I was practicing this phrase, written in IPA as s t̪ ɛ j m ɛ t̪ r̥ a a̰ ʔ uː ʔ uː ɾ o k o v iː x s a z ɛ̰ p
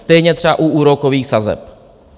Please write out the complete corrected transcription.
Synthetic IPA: s t̪ ɛ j ɲ ɛ t̪ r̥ ɛ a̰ ʔ u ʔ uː ɾ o k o v iː x s a z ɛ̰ p